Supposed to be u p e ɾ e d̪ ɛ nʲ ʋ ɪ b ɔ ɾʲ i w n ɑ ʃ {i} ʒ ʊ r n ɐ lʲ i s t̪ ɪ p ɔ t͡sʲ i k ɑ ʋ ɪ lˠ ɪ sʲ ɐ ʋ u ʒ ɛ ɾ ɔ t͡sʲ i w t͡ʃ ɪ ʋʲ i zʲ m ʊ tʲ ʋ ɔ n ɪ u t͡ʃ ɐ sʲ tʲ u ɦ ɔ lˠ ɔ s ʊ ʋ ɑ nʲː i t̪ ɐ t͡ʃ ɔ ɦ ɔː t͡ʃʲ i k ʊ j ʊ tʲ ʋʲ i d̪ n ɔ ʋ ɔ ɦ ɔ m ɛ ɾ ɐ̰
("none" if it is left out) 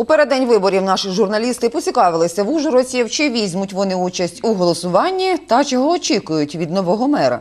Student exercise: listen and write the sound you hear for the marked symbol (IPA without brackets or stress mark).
ɪ